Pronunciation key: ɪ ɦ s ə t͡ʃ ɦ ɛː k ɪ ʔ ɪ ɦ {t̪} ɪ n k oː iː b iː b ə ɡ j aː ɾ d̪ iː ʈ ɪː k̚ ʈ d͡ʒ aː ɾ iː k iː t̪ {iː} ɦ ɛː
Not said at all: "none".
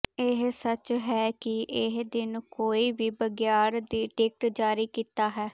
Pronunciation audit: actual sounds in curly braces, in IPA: d̪, aː

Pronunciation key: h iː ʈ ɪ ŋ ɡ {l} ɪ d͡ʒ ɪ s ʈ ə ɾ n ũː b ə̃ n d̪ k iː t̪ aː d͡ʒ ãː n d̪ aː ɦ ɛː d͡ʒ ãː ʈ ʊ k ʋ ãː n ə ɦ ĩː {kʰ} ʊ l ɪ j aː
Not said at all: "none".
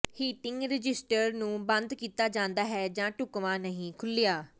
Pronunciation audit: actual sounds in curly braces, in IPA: ɾ, kʰ

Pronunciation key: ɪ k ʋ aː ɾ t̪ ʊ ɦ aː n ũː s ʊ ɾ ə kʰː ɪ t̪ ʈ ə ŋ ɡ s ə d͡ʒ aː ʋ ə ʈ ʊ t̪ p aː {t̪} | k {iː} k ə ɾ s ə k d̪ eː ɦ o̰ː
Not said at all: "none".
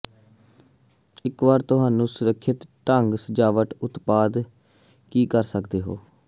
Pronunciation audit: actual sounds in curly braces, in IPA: d̪, iː

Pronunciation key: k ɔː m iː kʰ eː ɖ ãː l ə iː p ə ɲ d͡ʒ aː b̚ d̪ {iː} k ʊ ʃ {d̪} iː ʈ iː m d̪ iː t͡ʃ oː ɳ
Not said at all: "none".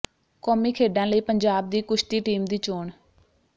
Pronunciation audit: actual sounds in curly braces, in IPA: iː, t̪

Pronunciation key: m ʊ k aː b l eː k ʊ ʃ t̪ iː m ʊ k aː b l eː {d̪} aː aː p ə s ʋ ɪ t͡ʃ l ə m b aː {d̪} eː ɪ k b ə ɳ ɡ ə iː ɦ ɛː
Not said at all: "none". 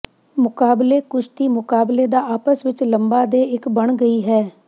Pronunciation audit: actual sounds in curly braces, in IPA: d̪, d̪

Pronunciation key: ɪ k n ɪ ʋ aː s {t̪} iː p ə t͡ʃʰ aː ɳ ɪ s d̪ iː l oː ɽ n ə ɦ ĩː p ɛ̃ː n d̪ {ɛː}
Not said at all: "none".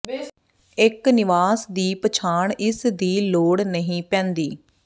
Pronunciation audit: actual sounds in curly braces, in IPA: d̪, iː

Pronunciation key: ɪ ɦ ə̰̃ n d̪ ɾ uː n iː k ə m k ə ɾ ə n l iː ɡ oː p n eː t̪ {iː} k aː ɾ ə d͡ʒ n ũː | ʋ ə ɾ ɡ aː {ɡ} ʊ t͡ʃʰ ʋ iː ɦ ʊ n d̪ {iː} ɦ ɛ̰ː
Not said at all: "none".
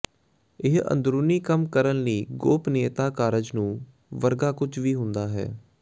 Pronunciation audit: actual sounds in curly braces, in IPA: aː, k, aː

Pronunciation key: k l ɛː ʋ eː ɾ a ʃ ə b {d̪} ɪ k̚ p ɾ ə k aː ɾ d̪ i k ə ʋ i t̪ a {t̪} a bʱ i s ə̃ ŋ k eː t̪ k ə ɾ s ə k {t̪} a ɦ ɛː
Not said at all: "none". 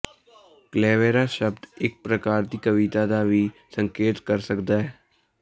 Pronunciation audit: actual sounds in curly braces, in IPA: d̪, d̪, d̪

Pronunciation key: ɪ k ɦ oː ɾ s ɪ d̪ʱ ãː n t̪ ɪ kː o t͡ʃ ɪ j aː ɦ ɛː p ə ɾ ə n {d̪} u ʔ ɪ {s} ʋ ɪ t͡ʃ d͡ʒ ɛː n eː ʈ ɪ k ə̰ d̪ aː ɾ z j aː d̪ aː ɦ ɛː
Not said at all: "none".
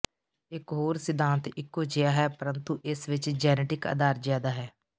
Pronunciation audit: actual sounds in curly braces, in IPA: t̪, s

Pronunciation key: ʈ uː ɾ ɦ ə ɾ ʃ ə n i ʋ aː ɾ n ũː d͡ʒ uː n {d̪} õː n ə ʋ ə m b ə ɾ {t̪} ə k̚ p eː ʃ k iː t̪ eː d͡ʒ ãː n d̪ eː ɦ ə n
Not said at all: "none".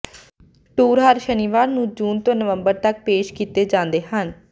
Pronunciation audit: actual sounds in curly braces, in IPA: t̪, t̪

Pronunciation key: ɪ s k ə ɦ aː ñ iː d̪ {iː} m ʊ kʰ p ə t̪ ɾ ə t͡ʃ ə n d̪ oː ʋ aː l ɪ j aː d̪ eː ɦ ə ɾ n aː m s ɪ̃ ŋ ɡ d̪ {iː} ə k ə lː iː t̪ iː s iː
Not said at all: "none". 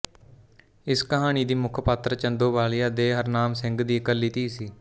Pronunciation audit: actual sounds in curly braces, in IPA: iː, iː

